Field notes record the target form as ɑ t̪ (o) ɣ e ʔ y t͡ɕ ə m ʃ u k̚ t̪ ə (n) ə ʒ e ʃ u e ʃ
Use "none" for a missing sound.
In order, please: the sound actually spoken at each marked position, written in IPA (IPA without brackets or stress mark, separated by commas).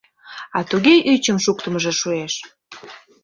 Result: u, m